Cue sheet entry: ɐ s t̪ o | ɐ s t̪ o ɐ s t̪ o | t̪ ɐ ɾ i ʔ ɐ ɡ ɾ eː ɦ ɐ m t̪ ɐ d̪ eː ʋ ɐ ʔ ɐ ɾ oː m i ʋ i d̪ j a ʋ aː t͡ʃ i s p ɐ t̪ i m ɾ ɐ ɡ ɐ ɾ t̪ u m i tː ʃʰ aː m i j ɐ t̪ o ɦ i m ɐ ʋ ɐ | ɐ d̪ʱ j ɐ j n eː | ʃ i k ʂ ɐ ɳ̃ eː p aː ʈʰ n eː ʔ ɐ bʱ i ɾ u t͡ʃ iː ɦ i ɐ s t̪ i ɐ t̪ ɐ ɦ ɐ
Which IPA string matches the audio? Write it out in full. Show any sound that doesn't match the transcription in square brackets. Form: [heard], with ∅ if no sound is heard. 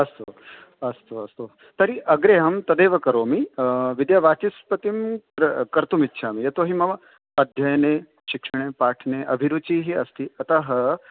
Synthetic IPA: ɐ s t̪ o | ɐ s t̪ o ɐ s t̪ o | t̪ ɐ ɾ i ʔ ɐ ɡ ɾ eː ɦ ɐ m t̪ ɐ d̪ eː ʋ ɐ [k] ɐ ɾ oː m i ʋ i d̪ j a ʋ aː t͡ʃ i s p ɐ t̪ i m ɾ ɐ [k] ɐ ɾ t̪ u m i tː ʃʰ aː m i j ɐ t̪ o ɦ i m ɐ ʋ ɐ | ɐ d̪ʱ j ɐ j n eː | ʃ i k ʂ ɐ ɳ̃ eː p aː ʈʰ n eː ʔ ɐ bʱ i ɾ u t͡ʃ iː ɦ i ɐ s t̪ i ɐ t̪ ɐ ɦ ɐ